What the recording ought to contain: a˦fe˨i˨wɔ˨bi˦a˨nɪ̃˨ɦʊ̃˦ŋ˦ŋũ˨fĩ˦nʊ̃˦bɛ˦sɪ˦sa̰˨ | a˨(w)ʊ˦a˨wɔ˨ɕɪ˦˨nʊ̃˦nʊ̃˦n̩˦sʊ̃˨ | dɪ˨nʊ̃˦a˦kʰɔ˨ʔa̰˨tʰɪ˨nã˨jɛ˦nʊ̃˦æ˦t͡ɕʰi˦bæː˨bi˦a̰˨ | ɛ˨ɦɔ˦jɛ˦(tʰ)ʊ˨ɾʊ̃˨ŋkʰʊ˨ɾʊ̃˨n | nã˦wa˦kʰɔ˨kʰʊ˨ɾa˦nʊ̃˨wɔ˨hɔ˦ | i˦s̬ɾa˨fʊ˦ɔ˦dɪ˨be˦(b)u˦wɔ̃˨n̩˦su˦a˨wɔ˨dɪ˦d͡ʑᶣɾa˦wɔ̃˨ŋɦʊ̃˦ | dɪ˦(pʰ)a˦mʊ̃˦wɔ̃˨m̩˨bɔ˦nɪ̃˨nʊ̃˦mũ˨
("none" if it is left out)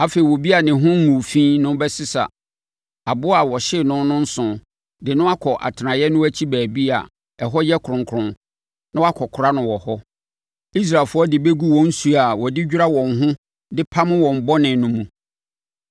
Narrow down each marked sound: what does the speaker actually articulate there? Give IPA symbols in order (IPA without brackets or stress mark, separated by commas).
b, kʰ, ɡ, pʰ